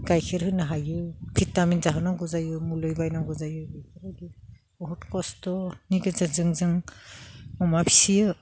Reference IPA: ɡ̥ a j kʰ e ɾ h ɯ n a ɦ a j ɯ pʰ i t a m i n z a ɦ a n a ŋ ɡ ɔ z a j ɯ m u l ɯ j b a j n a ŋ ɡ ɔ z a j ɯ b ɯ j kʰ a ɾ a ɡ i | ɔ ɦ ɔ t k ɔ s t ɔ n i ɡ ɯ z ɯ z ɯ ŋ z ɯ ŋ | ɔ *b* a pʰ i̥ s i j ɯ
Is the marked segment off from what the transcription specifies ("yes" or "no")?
yes